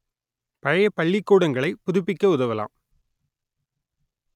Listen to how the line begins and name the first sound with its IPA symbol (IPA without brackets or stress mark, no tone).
p